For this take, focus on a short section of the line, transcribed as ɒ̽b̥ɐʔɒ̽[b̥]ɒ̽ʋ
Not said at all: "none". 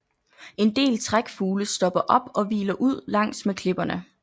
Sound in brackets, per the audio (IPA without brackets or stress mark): b̥